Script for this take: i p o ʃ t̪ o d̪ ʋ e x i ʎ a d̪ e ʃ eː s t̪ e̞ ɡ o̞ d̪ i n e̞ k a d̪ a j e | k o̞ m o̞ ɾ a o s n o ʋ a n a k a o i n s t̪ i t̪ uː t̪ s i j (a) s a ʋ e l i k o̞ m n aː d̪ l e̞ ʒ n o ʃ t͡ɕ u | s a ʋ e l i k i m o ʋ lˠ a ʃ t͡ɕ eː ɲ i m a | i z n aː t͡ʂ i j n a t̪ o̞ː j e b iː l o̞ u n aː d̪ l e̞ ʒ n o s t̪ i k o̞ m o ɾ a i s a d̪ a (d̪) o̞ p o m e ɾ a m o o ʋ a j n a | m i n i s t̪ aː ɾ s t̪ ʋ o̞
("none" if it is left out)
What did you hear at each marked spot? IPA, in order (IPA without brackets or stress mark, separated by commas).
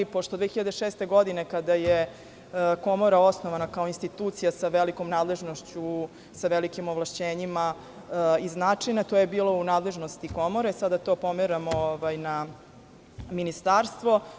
a, t̪